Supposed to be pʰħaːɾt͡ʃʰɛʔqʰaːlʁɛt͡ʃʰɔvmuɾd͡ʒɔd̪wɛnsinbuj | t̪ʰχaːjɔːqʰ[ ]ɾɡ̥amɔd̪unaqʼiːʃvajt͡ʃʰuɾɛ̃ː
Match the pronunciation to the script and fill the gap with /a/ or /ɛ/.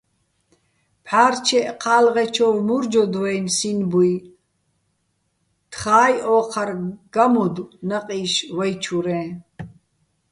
a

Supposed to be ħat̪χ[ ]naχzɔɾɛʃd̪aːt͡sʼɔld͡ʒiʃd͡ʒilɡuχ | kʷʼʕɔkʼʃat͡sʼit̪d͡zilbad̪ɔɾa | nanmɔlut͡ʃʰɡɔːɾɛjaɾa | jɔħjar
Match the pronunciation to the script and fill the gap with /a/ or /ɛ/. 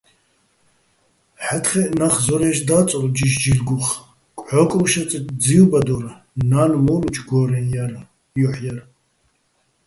ɛ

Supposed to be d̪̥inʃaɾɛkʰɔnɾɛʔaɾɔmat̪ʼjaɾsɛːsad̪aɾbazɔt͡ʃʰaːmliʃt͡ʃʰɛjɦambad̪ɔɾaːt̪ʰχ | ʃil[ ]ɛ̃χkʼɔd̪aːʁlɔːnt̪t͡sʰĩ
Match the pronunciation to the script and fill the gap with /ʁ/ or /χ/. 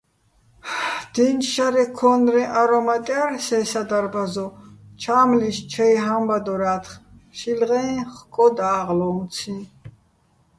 ʁ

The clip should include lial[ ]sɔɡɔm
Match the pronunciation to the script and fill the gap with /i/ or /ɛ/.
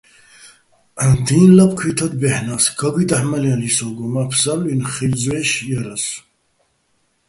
i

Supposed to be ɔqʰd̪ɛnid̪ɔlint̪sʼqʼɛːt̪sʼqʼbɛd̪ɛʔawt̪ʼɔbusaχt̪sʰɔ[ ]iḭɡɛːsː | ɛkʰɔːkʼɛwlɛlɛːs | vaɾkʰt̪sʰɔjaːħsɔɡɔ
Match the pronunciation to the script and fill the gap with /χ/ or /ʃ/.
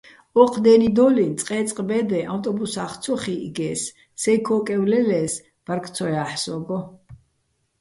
χ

